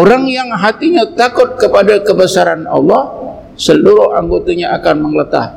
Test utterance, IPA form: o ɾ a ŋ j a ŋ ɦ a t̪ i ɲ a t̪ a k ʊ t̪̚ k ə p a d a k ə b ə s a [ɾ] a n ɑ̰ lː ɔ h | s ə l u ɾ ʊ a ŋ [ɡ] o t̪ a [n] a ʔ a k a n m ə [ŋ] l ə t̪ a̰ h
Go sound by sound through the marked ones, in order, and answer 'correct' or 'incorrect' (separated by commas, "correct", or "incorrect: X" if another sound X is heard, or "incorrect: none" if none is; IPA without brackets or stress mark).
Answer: correct, correct, incorrect: ɲ, correct